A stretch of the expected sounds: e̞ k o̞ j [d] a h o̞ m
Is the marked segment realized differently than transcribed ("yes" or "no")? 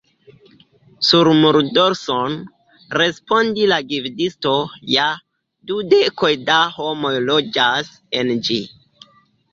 no